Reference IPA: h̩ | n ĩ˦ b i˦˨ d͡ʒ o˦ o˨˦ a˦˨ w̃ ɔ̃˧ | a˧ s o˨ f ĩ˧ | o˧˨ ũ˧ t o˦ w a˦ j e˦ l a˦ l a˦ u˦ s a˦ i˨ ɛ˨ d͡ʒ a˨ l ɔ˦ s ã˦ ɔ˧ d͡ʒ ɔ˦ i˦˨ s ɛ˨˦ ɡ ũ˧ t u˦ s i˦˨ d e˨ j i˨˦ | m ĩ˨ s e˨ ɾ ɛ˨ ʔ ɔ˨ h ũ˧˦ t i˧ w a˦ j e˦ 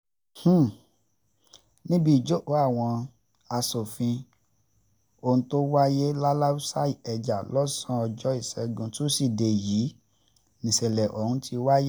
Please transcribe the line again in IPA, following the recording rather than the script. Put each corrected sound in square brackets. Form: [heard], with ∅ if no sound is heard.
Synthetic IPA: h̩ | n ĩ˦ b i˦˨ d͡ʒ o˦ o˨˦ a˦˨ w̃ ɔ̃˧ | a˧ s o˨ f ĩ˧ | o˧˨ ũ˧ t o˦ w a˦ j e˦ l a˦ l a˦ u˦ s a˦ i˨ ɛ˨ d͡ʒ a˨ l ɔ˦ s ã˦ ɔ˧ d͡ʒ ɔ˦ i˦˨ s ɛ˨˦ ɡ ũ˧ t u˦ s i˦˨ d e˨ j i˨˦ | [n] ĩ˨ s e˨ [l] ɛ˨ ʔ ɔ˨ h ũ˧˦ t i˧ w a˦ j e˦